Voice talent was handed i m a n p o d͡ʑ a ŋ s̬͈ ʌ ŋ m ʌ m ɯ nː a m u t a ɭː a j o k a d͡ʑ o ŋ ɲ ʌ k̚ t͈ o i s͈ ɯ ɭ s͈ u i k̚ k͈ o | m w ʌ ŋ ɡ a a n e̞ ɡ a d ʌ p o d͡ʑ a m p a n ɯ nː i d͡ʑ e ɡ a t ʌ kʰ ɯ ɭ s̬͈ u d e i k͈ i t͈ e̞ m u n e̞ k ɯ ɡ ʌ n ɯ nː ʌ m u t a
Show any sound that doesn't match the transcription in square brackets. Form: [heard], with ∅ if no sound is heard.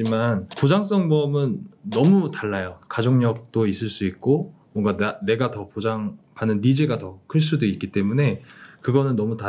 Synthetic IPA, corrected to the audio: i m a n p o d͡ʑ a ŋ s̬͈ ʌ ŋ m ʌ m ɯ nː [ʌ] m u t a ɭː a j o k a d͡ʑ o ŋ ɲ ʌ k̚ t͈ o i s͈ ɯ ɭ s͈ u i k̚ k͈ o | m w ʌ ŋ ɡ a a n e̞ ɡ a [t] ʌ p o d͡ʑ a [ŋ] p a n ɯ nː i d͡ʑ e ɡ a t ʌ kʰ ɯ ɭ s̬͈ u d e i k͈ i t͈ e̞ m u n e̞ k ɯ ɡ ʌ n ɯ nː ʌ m u t a